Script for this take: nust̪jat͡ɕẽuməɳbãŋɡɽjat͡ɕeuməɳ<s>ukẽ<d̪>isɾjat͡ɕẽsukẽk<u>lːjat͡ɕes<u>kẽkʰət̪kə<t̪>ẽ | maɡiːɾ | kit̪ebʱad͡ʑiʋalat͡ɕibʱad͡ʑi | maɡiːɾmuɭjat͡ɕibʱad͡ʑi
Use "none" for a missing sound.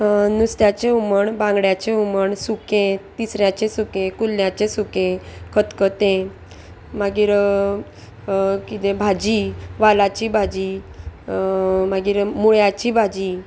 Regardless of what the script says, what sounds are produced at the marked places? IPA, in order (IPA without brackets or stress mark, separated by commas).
s, t̪, u, u, t̪